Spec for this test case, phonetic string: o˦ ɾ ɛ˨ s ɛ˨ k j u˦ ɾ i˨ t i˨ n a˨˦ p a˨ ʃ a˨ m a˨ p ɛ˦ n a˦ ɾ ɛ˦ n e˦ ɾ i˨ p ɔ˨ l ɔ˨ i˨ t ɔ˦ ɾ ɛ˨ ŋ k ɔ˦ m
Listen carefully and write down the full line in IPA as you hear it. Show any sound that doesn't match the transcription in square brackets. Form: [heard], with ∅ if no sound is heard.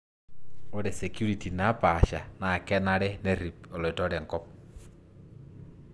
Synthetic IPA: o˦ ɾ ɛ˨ s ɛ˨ k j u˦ ɾ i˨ t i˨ n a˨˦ p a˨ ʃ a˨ [n] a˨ [k] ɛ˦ n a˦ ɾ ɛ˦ n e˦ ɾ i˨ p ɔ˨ l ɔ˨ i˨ t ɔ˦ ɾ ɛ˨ ŋ k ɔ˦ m